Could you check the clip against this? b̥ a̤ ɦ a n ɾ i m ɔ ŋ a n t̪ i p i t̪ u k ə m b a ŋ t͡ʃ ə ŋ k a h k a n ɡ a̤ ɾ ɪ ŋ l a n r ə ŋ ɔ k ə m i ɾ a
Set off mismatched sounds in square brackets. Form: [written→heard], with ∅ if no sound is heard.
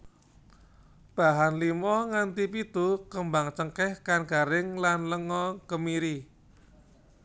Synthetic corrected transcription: b̥ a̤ ɦ a n [ɾ→l] i m ɔ ŋ a n t̪ i p i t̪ u k ə m b a ŋ t͡ʃ ə ŋ k [a→ɛ] h k a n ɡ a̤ ɾ ɪ ŋ l a n [r→l] ə ŋ ɔ k ə m i ɾ [a→i]